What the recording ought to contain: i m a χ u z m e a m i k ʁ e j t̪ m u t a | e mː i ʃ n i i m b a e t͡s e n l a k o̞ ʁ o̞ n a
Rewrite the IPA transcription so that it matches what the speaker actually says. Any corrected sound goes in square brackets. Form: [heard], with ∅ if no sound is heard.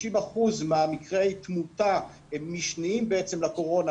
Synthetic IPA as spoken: i m a χ u z m e a m i k ʁ e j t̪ m u t a | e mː i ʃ n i i m b [e] e t͡s e [m] l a k o̞ ʁ o̞ n a